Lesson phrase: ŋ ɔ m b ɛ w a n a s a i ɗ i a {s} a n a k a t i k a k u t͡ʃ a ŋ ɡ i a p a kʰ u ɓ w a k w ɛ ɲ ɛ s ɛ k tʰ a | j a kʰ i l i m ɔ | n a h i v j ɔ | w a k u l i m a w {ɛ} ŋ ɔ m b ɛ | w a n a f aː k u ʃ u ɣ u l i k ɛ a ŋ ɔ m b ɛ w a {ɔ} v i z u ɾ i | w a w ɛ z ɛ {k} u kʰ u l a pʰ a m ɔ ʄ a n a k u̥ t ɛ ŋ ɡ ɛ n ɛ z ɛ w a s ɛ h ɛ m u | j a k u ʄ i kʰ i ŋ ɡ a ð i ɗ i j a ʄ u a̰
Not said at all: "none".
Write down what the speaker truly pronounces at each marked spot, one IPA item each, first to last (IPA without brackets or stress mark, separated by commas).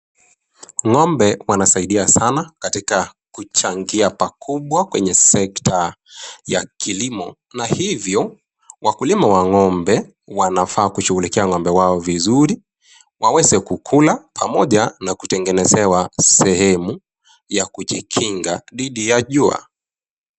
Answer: s, a, ɔ, k